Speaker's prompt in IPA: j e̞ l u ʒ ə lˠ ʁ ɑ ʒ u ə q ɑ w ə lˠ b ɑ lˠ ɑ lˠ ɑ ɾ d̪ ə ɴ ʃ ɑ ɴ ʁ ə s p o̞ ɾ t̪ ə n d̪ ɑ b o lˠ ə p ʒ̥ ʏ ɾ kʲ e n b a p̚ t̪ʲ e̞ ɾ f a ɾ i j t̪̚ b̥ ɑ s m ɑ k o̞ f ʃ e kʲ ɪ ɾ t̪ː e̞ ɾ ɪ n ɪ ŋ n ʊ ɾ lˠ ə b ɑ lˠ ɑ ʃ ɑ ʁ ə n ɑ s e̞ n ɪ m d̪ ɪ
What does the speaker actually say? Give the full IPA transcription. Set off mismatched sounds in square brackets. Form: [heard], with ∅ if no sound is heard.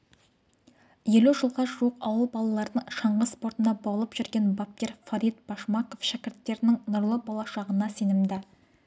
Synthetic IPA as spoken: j e̞ l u ʒ ə lˠ ʁ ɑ ʒ u ə q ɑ w ə lˠ b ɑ lˠ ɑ lˠ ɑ ɾ d̪ ə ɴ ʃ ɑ ɴ ʁ ə s p o̞ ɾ t̪ ə n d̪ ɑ b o lˠ ə p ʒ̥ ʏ ɾ [ɡʲ] e n b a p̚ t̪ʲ e̞ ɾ f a ɾ i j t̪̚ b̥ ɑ [ʃ] m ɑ k o̞ f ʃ [æ] kʲ ɪ ɾ t̪ː e̞ ɾ ɪ n ɪ ŋ n ʊ ɾ lˠ ə b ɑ lˠ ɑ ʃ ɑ ʁ ə n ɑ s e̞ n ɪ m d̪ ɪ

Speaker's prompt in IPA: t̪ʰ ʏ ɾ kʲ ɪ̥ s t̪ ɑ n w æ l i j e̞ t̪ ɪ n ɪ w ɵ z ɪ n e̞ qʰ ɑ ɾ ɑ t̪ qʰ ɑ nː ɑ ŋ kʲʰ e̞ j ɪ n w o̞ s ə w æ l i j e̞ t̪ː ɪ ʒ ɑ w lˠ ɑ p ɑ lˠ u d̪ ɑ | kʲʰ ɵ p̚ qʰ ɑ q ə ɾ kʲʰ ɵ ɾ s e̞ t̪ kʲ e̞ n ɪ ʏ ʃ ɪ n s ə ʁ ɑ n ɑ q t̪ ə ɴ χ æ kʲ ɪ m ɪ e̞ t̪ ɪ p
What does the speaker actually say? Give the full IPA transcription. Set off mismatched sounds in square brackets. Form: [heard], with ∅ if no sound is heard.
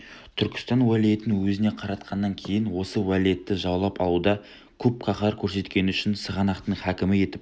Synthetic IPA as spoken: t̪ʰ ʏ ɾ kʲ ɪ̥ s t̪ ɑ n w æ l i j e̞ t̪ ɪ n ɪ w ɵ z ɪ n e̞ qʰ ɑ ɾ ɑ t̪ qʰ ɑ nː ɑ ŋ kʲʰ e̞ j ɪ n w o̞ s ə w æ l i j e̞ t̪ː ɪ ʒ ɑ w lˠ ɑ p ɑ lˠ u d̪ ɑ | kʲʰ ɵ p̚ qʰ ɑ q [ɑ] ɾ kʲʰ ɵ ɾ s e̞ t̪ kʲ e̞ n ɪ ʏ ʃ ɪ n s ə ʁ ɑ n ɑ q t̪ ə ɴ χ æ kʲ ɪ m ɪ e̞ t̪ ɪ p

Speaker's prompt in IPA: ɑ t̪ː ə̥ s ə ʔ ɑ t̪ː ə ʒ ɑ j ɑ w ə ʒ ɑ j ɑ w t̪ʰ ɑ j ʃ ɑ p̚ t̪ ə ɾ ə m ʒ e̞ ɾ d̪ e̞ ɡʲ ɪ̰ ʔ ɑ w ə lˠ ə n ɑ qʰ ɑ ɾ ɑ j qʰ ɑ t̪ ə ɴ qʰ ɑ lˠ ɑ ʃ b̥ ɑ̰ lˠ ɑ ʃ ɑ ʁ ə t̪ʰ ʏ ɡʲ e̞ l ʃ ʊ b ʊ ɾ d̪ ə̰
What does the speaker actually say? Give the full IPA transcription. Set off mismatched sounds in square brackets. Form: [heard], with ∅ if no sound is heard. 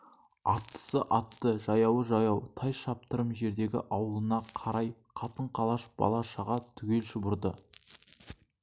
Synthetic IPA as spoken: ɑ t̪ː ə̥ s ə ʔ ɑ t̪ː ə ʒ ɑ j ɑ w ə ʒ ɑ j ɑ w t̪ʰ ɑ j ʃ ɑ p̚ t̪ ə ɾ ə m ʒ e̞ ɾ d̪ e̞ ɡʲ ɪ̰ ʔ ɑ w ə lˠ ə n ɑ qʰ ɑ ɾ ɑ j qʰ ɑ t̪ ə ɴ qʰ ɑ lˠ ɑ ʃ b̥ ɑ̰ lˠ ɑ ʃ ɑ ʁ [ɑ] t̪ʰ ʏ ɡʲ e̞ l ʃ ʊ b ʊ ɾ d̪ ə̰

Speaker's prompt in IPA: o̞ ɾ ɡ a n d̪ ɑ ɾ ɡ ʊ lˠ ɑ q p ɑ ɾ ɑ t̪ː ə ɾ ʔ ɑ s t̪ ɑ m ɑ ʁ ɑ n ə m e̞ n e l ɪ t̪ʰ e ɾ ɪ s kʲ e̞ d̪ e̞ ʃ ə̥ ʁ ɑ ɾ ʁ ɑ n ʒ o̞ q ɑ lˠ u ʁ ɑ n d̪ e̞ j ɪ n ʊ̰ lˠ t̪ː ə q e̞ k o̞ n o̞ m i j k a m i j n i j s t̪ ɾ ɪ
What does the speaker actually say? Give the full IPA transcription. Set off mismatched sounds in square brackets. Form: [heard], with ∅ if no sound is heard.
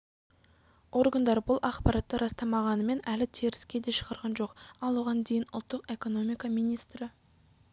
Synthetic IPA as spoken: o̞ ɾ ɡ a n d̪ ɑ ɾ [b] ʊ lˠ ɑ q p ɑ ɾ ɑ t̪ː ə ɾ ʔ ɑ s t̪ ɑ m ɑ ʁ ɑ n ə m e̞ n [æ] l ɪ t̪ʰ e ɾ ɪ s kʲ e̞ d̪ e̞ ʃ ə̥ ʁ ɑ ɾ ʁ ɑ n ʒ o̞ q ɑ lˠ u ʁ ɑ n d̪ e̞ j ɪ n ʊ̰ lˠ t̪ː ə q e̞ k o̞ n o̞ m i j k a m i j n i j s t̪ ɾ ɪ

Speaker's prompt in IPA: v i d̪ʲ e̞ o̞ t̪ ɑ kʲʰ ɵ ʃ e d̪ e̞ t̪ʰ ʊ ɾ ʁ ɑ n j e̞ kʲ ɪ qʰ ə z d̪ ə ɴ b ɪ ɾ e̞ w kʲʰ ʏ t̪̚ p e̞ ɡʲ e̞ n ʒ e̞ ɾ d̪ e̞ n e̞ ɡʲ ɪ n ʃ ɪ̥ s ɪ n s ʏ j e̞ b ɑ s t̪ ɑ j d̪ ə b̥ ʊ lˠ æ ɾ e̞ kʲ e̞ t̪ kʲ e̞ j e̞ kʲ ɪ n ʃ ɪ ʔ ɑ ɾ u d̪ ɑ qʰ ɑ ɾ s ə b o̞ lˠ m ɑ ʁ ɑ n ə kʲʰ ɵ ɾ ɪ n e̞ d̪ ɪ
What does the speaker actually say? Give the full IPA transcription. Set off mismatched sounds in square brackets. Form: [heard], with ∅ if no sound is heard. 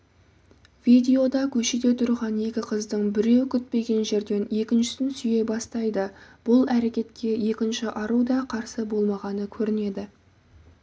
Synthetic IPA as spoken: v i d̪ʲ e̞ o̞ [d̪] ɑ kʲʰ ɵ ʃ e d̪ e̞ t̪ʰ ʊ ɾ ʁ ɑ n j e̞ kʲ ɪ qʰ ə z d̪ ə ɴ b ɪ ɾ e̞ w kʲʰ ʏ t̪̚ p e̞ ɡʲ e̞ n ʒ e̞ ɾ d̪ e̞ n e̞ [kʲ] ɪ n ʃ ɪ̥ s ɪ n s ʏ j e̞ b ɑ s t̪ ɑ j d̪ ə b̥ ʊ lˠ æ ɾ e̞ kʲ e̞ t̪ kʲ e̞ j e̞ kʲ ɪ n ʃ ɪ ʔ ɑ ɾ u d̪ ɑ qʰ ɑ ɾ s ə b o̞ lˠ m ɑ ʁ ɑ n ə kʲʰ ɵ ɾ ɪ n e̞ d̪ ɪ

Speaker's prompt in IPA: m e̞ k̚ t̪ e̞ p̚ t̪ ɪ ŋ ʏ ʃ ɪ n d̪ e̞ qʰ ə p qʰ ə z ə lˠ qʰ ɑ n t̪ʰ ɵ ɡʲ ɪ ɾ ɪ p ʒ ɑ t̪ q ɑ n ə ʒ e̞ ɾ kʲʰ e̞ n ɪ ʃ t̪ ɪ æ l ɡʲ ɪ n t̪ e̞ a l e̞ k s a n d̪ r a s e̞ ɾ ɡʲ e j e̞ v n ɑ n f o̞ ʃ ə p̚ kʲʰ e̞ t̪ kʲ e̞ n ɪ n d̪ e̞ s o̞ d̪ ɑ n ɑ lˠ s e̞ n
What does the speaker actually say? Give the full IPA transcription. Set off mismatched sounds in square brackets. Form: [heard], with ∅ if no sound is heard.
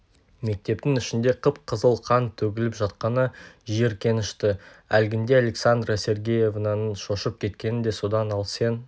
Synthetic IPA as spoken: m e̞ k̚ t̪ e̞ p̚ t̪ ɪ ŋ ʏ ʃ ɪ n d̪ e̞ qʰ ə p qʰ ə z ə lˠ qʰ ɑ n t̪ʰ ɵ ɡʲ ɪ [l] ɪ p ʒ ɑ t̪ q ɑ n ə ʒ e̞ ɾ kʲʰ e̞ n ɪ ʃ t̪ ɪ æ l ɡʲ ɪ n [d̪] e̞ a l e̞ k s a n d̪ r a s e̞ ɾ ɡʲ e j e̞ v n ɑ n [ʃ] o̞ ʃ ə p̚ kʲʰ e̞ t̪ kʲ e̞ n ɪ n d̪ e̞ s o̞ d̪ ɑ n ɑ lˠ s e̞ n

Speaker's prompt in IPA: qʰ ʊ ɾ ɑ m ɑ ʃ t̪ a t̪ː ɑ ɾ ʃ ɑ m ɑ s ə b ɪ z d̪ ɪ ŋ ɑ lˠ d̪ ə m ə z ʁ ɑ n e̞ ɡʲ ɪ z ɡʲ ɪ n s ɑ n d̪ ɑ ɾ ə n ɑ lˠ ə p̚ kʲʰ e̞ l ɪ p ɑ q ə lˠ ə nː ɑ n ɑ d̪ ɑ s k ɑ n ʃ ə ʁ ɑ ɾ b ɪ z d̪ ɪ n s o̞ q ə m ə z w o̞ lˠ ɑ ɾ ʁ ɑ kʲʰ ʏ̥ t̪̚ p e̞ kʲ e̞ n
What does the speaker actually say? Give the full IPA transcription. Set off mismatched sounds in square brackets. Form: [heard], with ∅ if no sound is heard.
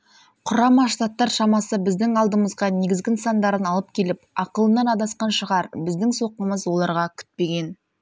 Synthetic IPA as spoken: qʰ ʊ ɾ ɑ m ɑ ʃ t̪ a t̪ː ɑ ɾ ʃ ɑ m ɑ s ə b ɪ z d̪ ɪ ŋ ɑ lˠ d̪ ə m ə z ʁ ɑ n e̞ ɡʲ ɪ z ɡʲ ɪ n s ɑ n d̪ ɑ ɾ ə n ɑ lˠ ə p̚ kʲʰ e̞ l ɪ p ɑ q ə lˠ ə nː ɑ n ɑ d̪ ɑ s [q] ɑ n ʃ ə ʁ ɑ ɾ b ɪ z d̪ ɪ [ŋ] s o̞ q ə m ə z w o̞ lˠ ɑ ɾ ʁ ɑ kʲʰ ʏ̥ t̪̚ p e̞ [ɡʲ] e̞ n

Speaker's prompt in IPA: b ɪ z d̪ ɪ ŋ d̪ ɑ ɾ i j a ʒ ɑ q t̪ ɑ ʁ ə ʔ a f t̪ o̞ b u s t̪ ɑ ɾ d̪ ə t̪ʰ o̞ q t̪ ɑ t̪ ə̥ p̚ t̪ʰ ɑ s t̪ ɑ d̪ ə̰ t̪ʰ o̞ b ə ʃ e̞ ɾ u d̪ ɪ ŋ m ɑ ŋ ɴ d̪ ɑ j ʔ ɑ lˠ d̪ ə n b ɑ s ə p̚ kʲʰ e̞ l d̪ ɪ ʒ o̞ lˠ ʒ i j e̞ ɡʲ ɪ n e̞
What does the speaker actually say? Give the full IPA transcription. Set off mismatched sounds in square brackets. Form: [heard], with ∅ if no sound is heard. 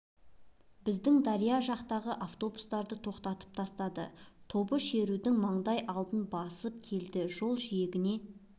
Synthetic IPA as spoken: b ɪ z d̪ ɪ ŋ d̪ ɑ ɾ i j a ʒ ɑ q t̪ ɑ ʁ ə ʔ a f t̪ o̞ b u s t̪ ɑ ɾ d̪ ə t̪ʰ o̞ q t̪ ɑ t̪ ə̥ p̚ t̪ʰ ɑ s t̪ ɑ d̪ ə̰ t̪ʰ o̞ b ə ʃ e̞ ɾ u d̪ ɪ ŋ m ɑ [∅] ɴ d̪ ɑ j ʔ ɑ lˠ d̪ ə n b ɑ s ə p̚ kʲʰ e̞ l d̪ ɪ ʒ o̞ lˠ ʒ i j e̞ ɡʲ ɪ n e̞

